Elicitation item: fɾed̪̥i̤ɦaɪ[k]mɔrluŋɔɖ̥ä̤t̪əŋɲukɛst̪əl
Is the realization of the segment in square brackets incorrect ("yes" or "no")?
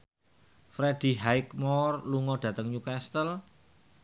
no